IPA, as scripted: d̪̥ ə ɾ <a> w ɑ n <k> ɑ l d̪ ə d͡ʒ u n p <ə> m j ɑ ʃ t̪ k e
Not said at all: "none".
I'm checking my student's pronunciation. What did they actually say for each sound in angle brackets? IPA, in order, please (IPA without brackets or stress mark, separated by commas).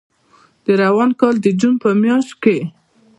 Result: a, k, ə